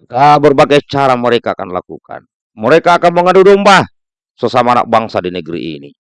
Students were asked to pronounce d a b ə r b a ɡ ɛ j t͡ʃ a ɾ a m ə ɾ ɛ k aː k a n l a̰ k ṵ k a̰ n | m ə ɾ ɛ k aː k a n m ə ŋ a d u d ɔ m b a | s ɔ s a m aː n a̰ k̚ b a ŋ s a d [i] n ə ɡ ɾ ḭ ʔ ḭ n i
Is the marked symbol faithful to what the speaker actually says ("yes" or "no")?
yes